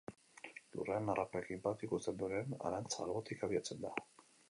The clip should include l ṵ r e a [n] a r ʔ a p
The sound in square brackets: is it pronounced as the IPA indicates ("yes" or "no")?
yes